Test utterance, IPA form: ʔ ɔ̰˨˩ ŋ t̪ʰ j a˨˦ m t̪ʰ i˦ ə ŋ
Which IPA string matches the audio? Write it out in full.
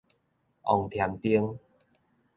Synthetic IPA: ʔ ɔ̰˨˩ ŋ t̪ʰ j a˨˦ m t̪ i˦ ə ŋ